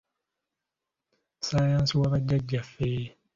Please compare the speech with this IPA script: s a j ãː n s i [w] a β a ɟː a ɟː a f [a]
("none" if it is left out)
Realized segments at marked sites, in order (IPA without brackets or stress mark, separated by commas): w, e